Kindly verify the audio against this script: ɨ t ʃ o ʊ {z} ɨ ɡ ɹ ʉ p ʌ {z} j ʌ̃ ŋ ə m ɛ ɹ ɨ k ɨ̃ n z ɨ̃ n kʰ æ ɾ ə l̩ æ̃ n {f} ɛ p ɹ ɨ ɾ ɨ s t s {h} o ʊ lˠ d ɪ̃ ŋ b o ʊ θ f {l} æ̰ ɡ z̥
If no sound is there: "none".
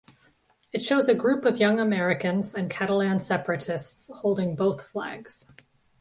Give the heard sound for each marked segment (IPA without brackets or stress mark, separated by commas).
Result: z, v, s, h, l